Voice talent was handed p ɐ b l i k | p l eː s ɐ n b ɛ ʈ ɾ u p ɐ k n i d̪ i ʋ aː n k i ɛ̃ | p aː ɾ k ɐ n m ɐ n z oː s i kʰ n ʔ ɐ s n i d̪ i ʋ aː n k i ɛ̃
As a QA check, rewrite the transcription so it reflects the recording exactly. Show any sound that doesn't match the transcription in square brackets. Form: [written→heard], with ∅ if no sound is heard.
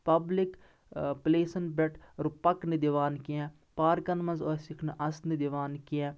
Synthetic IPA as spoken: p ɐ b l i k | p l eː s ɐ n b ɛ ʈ ɾ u p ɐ k n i d̪ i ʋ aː n k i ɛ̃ | p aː ɾ k ɐ n m ɐ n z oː s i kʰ n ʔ ɐ s n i d̪ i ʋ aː n k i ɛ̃